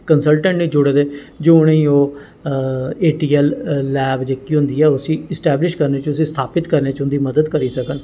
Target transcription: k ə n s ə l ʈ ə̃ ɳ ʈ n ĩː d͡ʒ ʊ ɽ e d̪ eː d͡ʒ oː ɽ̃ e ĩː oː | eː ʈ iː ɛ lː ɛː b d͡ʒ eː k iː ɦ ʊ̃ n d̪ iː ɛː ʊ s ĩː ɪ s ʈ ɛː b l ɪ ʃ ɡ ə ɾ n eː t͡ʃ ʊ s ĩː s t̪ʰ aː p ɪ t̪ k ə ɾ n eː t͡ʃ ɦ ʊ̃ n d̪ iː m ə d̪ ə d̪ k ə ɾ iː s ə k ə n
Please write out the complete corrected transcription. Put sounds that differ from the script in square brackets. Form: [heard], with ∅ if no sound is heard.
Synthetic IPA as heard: k ə n s ə l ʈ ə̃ ɳ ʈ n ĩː d͡ʒ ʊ ɽ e d̪ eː d͡ʒ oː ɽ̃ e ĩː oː | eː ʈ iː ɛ lː ɛː b d͡ʒ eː k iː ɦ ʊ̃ n d̪ iː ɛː ʊ s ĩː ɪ s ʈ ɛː b l ɪ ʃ [k] ə ɾ n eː t͡ʃ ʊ s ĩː s t̪ʰ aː p ɪ t̪ k ə ɾ n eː t͡ʃ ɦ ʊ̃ n d̪ iː m ə d̪ ə d̪ k ə ɾ iː s ə k ə n